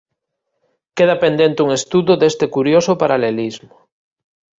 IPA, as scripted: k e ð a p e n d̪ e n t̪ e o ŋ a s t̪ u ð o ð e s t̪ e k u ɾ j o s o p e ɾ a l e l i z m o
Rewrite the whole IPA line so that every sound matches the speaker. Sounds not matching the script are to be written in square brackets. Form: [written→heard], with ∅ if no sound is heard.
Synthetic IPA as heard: k e ð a p e n d̪ e n t̪ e [o→u] ŋ [a→e] s t̪ u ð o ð e s t̪ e k u ɾ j o s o p [e→a] ɾ a l e l i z m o